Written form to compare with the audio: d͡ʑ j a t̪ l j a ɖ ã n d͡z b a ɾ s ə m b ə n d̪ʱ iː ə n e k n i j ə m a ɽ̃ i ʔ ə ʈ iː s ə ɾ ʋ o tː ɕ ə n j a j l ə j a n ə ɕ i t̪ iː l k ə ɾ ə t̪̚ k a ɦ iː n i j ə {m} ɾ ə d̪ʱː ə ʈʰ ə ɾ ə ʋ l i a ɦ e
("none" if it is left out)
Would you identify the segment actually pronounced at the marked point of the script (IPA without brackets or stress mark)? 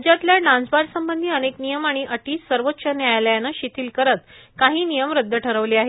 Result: m